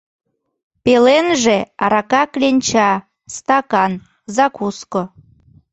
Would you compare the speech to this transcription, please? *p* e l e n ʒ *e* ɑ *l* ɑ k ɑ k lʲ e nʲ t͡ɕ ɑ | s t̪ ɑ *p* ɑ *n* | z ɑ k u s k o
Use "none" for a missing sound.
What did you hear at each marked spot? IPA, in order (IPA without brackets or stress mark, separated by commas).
p, e, ɾ, k, n